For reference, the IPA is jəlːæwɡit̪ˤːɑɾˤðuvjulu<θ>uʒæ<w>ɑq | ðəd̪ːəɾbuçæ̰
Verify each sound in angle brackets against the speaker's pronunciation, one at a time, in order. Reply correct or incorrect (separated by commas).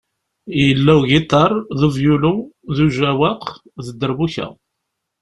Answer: incorrect, correct